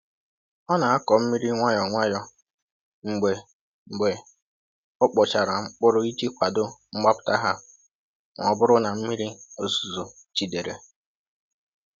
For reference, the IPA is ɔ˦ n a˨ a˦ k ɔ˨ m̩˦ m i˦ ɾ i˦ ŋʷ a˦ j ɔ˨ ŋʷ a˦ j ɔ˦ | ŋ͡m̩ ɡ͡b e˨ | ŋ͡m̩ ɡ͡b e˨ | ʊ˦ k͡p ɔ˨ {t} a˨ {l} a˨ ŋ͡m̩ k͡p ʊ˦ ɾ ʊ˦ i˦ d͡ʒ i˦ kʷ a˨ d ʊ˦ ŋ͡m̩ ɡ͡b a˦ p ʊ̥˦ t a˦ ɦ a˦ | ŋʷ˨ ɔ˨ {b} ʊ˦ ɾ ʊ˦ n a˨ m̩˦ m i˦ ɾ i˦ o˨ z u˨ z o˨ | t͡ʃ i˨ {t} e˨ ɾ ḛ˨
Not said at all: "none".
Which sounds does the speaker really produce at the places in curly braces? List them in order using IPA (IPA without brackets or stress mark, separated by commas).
t͡ʃ, ɾ, b, d